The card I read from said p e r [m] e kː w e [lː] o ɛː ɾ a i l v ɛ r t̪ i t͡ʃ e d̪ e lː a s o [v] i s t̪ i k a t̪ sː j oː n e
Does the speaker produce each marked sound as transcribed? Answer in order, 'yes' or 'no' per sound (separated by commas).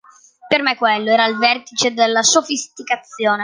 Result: yes, yes, no